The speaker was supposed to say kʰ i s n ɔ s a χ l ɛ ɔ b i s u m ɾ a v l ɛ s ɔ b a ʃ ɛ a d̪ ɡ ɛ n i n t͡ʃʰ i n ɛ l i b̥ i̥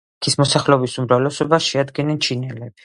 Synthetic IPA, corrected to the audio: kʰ i s m ɔ s a χ l ɛ ɔ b i s u m ɾ a v l ɛ s ɔ b a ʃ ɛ a d̪ ɡ ɛ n ɛ n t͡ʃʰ i n ɛ l ɛ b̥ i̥